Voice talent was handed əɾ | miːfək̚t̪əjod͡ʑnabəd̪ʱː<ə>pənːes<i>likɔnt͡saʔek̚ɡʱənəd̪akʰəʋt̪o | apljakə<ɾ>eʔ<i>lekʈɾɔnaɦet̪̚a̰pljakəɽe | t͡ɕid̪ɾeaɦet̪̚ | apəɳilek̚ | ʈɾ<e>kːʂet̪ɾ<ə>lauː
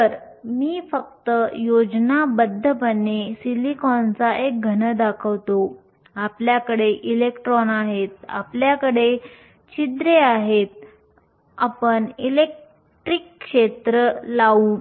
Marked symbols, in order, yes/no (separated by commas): yes, yes, no, yes, no, yes